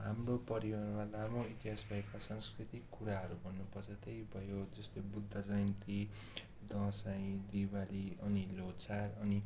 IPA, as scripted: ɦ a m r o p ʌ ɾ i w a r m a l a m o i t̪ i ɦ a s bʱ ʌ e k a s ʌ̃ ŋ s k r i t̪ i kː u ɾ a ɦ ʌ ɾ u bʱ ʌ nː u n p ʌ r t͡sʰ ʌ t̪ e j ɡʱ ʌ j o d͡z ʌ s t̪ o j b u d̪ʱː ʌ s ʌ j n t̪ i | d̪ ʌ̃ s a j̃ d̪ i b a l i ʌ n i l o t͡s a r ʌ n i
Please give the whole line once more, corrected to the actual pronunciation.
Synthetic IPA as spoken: ɦ a m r o p ʌ ɾ i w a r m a l a m o i t̪ i ɦ a s bʱ ʌ e k a s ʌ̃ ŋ s k r i t̪ i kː u ɾ a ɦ ʌ ɾ u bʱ ʌ nː u p ʌ r t͡sʰ ʌ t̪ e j bʱ ʌ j o d͡z ʌ s t̪ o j b u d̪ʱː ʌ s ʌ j n t̪ i | d̪ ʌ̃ s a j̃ d̪ i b a l i ʌ n i l o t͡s a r ʌ n i